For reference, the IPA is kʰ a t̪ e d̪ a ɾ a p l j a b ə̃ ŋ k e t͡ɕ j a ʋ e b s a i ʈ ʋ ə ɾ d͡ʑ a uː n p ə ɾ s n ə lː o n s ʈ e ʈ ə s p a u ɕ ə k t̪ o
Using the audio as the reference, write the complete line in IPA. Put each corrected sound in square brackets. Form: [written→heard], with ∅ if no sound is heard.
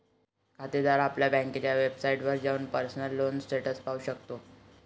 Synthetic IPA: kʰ a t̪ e d̪ a ɾ a p l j a b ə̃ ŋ k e t͡ɕ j a ʋ e b s a i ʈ ʋ ə ɾ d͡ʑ a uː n p ə ɾ s n ə lː o n s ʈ e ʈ ə s p a u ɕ ə k t̪ o